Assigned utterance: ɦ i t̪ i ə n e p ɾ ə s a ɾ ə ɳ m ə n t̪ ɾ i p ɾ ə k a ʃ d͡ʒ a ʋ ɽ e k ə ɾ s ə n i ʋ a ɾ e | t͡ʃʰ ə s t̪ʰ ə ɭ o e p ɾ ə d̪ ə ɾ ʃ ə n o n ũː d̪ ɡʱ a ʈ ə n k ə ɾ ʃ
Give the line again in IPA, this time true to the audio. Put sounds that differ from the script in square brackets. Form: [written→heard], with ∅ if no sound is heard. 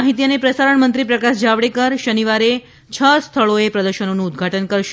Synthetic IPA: ɦ i t̪ i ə n e p ɾ ə s a ɾ ə ɳ m ə n t̪ ɾ i p ɾ ə k a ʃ d͡ʒ a ʋ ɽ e k ə ɾ [s→ʃ] ə n i ʋ a ɾ e | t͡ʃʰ ə s t̪ʰ ə ɭ o e p ɾ ə d̪ ə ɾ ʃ ə n o n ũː d̪ ɡʱ a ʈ ə n k ə ɾ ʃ